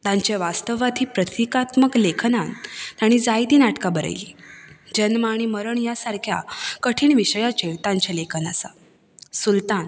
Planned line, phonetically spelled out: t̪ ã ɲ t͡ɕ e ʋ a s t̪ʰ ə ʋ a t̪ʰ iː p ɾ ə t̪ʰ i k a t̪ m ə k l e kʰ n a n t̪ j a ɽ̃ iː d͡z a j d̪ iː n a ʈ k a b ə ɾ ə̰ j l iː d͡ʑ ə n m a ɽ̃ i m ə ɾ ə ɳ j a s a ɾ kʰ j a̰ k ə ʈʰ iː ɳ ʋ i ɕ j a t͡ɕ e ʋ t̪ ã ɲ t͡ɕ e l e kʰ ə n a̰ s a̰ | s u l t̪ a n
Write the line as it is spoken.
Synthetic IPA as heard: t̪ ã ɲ t͡ɕ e ʋ a s t̪ ə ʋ a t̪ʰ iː p ɾ ə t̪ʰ i k a t̪ m ə k l e kʰ n a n t̪ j a ɽ̃ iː d͡z a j d̪ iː n a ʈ k a b ə ɾ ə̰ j l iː d͡ʑ ə n m a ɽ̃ i m ə ɾ ə ɳ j a s a ɾ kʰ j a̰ k ə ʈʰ iː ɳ ʋ i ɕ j a t͡ɕ e ʋ t̪ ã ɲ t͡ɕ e l e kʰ ə n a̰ s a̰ | s u l t̪ a n